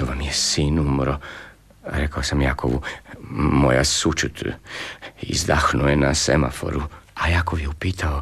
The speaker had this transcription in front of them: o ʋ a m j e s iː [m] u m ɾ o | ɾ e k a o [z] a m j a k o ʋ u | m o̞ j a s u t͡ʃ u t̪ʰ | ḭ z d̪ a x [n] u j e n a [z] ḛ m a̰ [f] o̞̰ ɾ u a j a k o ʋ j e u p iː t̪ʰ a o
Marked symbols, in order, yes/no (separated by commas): no, no, yes, no, yes